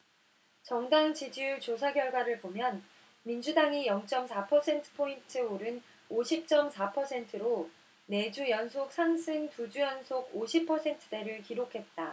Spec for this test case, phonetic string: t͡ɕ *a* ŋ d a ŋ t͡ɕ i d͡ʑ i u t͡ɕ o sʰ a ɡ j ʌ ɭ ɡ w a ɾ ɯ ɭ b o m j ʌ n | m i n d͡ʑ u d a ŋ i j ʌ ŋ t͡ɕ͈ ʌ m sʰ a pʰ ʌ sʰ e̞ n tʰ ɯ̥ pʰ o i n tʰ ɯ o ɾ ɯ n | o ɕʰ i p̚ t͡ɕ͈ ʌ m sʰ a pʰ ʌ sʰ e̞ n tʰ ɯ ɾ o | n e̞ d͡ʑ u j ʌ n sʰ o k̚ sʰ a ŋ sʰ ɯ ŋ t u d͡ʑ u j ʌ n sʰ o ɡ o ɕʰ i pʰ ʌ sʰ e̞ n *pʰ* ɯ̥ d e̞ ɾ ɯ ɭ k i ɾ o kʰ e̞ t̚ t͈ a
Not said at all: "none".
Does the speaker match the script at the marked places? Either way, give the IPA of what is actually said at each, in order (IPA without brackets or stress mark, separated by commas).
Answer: ʌ, tʰ